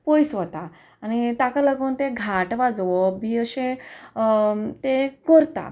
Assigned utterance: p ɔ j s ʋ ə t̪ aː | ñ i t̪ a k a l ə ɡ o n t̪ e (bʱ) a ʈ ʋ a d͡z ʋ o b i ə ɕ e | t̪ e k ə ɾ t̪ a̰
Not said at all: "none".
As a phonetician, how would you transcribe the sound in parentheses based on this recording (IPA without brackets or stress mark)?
ɡʱ